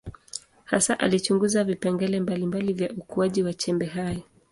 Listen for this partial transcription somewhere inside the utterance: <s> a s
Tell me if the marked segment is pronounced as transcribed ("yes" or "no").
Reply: no